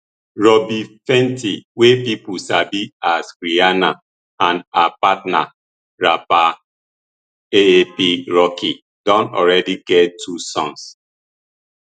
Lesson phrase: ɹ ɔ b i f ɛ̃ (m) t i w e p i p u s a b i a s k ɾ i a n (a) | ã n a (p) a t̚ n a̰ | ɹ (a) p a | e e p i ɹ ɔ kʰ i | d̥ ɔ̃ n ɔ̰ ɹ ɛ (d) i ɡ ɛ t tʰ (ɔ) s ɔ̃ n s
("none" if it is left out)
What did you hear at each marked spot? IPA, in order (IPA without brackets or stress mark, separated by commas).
n, a, p, a, d, u